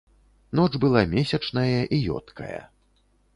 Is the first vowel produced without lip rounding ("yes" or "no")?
no